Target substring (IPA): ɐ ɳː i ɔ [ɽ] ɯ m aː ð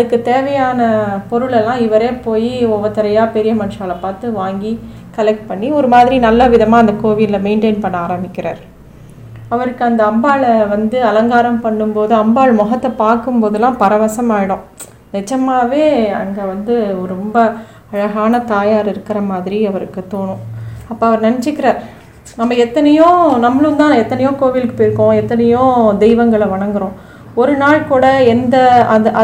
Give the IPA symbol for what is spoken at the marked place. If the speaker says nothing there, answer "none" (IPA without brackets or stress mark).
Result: ɾ